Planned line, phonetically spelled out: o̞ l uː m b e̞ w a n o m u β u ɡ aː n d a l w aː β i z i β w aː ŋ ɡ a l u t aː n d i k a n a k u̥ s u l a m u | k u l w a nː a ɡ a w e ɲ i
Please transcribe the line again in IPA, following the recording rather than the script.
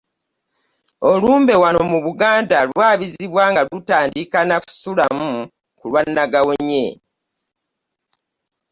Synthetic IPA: o̞ l uː m b e̞ w a n o m u β u ɡ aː n d a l w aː β i z i β w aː ŋ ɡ a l u t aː n d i k a n a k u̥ s u l a m u | k u l w a nː a ɡ a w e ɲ e